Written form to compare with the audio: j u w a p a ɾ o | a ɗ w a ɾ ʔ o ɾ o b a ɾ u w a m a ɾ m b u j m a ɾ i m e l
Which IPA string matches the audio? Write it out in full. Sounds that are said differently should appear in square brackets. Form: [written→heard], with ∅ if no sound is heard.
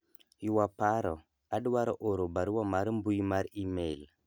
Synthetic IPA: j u w a p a ɾ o | a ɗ w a ɾ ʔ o ɾ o b a ɾ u w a m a ɾ m b u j m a ɾ i m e l